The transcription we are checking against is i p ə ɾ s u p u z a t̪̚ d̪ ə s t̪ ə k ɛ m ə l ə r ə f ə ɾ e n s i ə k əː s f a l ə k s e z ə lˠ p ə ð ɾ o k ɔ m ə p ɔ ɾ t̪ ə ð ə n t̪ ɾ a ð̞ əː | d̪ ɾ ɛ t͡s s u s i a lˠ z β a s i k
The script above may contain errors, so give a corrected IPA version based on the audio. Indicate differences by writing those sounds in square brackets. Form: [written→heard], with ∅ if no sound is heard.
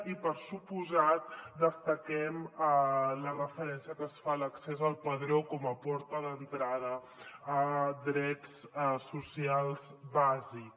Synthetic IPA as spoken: i p ə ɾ s u p u z a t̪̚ d̪ ə s t̪ ə k ɛ m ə l ə r ə f ə ɾ [e→ɛ] n s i ə k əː s f a l ə k s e z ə lˠ p ə ð ɾ o k ɔ m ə p ɔ ɾ t̪ ə ð ə n t̪ ɾ a ð̞ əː | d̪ ɾ ɛ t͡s s u s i a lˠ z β a [s→z] i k

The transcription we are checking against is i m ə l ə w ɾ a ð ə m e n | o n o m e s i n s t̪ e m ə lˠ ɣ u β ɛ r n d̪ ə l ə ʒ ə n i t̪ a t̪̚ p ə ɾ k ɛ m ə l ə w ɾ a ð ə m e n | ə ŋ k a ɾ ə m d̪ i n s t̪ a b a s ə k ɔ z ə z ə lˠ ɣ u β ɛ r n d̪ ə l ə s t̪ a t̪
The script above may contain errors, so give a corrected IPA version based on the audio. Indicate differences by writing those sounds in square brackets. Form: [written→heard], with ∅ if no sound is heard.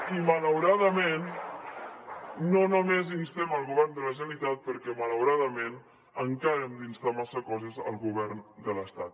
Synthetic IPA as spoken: i m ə l ə w ɾ a ð ə m e n | o n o m e [s→z] i n s t̪ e m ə lˠ ɣ u β ɛ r n d̪ ə l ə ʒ ə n i t̪ a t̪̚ p ə ɾ k ɛ m ə l ə w ɾ a ð ə m e n | ə ŋ k a ɾ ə m d̪ i n s t̪ a [b→m] a s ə k ɔ z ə z ə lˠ ɣ u β ɛ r n d̪ ə l ə s t̪ a t̪

